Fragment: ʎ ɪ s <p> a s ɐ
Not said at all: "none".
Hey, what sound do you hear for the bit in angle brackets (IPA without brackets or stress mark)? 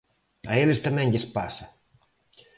p